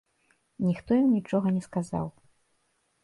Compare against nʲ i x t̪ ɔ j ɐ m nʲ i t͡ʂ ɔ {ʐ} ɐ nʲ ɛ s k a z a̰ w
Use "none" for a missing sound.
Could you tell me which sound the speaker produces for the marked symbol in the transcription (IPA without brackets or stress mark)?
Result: ɣ